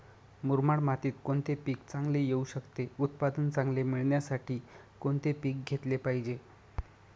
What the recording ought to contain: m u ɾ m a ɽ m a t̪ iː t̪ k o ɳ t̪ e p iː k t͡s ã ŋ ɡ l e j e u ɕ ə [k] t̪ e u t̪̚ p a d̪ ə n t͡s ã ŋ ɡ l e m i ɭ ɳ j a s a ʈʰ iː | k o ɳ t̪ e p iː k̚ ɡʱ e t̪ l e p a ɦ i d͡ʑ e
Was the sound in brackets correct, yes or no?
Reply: yes